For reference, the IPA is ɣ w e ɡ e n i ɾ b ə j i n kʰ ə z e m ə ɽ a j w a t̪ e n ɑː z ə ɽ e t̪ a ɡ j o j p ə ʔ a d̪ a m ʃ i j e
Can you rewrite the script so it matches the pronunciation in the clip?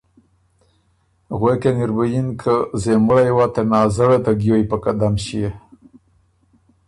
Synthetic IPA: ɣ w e k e n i ɾ b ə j i n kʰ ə z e m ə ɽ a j w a t̪ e n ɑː z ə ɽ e t̪ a ɡ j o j p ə k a d̪ a m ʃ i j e